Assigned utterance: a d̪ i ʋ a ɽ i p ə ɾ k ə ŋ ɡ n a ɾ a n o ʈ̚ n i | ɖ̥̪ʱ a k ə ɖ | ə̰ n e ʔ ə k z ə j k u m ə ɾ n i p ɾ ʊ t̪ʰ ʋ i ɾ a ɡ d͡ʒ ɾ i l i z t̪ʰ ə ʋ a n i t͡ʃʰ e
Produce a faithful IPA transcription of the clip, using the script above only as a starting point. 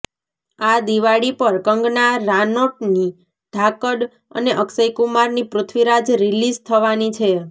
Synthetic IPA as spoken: a d̪ i ʋ a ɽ i p ə ɾ k ə ŋ ɡ n a ɾ a n o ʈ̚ n i | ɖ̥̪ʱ a k ə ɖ | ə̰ n e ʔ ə k s ə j k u m a ɾ n i p ɾ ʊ t̪ʰ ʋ i ɾ a d͡ʒ ɾ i l i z t̪ʰ ə ʋ a n i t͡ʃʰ e